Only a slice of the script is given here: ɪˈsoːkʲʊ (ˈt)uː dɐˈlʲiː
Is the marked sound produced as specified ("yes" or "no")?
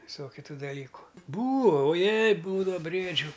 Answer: yes